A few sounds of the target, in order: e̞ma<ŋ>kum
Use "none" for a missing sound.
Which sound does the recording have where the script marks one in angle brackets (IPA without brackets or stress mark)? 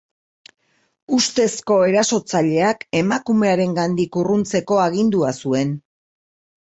none